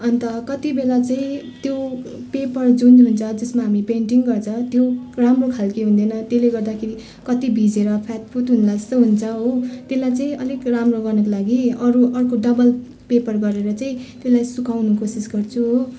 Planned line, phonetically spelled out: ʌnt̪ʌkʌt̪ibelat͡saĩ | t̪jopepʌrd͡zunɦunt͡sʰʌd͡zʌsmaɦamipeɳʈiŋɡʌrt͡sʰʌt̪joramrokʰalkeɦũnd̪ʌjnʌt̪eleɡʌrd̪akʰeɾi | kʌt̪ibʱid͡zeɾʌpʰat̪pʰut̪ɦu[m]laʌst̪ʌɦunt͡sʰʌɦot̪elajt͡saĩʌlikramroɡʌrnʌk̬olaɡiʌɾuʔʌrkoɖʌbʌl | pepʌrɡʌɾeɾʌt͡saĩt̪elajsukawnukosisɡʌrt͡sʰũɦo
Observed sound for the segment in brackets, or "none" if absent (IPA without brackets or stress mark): n